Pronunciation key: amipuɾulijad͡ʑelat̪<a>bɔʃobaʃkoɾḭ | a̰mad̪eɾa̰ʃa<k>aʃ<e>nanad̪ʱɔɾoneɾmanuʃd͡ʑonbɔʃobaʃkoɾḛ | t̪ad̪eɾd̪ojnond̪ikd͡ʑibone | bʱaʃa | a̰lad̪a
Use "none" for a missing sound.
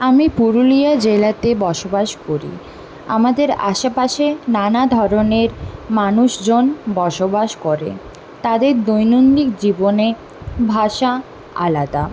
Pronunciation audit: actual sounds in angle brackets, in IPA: e, p, e

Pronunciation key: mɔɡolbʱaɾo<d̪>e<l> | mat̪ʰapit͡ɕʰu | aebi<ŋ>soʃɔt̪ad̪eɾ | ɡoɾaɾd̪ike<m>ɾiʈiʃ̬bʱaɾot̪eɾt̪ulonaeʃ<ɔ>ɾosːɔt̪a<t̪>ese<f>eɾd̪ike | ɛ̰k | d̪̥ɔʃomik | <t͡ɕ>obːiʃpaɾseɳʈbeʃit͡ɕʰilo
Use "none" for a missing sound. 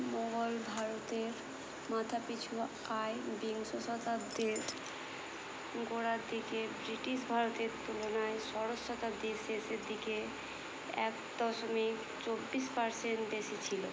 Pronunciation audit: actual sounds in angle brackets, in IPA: t̪, ɾ, ŋ, b, ɔ, d̪, s, t͡ɕ

